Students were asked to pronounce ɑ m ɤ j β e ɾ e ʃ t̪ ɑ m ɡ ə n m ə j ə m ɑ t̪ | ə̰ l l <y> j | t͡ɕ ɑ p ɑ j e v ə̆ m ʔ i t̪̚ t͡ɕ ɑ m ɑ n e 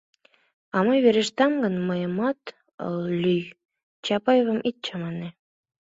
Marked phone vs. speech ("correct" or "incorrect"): correct